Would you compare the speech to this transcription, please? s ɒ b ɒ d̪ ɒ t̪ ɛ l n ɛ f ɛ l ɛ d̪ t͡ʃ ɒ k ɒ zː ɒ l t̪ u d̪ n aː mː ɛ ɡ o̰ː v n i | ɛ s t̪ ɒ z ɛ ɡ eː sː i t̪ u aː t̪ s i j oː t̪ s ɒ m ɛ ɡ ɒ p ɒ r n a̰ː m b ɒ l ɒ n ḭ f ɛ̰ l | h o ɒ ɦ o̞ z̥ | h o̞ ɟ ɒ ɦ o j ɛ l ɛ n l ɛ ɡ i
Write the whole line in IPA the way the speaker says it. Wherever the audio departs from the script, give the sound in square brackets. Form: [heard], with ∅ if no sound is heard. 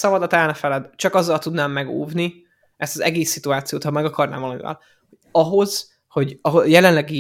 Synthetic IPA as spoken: s ɒ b ɒ d̪ ɒ t̪ ɛ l n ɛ f ɛ l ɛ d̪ t͡ʃ ɒ k ɒ zː ɒ l t̪ u d̪ n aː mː ɛ ɡ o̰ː v n i | ɛ s t̪ ɒ z ɛ ɡ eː sː i t̪ u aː t̪ s i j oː t̪ [h] ɒ m ɛ ɡ ɒ [k] ɒ r n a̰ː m [v] ɒ l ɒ [m] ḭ [v] ɛ̰ l | h o ɒ ɦ o̞ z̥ | h o̞ ɟ ɒ ɦ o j ɛ l ɛ n l ɛ ɡ i